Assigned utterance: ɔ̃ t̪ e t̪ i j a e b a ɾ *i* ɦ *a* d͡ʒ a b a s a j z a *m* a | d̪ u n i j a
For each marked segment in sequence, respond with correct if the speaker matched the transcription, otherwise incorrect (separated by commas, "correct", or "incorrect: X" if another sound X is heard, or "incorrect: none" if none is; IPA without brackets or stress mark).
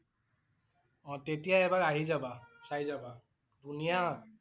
incorrect: a, incorrect: i, incorrect: b